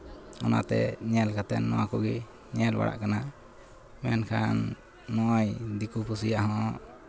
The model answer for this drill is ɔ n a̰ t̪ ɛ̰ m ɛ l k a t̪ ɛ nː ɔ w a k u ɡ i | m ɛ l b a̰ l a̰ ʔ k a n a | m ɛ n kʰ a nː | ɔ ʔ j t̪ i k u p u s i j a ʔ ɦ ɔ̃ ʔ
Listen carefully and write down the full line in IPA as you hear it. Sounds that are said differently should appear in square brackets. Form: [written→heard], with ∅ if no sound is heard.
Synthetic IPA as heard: ɔ n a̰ t̪ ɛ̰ [m→ɲ] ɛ l k a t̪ ɛ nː ɔ w a k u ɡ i | [m→ɲ] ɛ l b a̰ [l→ɽ] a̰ ʔ k a n a | m ɛ n kʰ a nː | ɔ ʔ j [t̪→d̪] i k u p u s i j a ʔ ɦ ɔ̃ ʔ